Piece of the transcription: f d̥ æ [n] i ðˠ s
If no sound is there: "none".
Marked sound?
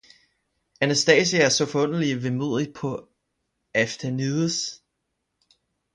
n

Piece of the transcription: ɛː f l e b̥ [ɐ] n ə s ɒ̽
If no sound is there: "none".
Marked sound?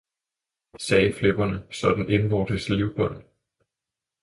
ɐ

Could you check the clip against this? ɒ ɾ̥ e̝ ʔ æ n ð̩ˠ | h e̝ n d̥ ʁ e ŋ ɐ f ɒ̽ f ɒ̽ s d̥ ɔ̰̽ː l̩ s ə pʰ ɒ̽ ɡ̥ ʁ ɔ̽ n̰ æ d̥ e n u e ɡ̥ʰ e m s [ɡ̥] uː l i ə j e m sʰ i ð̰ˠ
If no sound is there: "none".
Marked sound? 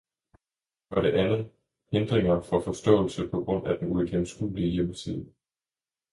ɡ̥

